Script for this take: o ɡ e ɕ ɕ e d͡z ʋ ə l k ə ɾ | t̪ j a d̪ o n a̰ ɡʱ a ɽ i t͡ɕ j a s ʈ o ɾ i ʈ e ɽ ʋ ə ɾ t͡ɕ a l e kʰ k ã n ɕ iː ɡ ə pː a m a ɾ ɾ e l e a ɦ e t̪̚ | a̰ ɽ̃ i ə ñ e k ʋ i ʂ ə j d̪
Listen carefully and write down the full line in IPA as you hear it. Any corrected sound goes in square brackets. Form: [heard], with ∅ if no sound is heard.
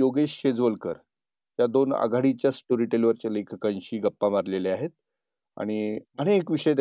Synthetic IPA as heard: o ɡ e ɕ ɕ e d͡z ʋ ə l k ə ɾ | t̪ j a d̪ o n a̰ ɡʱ a ɽ i t͡ɕ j a s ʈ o ɾ i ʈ e [l] ʋ ə ɾ t͡ɕ a l e kʰ k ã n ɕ iː ɡ ə pː a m a ɾ [l] e l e a ɦ e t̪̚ | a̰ ɽ̃ i ə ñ e k ʋ i ʂ ə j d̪